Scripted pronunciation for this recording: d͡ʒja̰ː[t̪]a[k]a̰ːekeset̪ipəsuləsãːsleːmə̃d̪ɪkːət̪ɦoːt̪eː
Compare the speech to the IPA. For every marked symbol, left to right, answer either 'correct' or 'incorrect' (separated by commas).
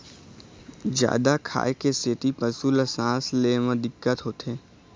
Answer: incorrect, incorrect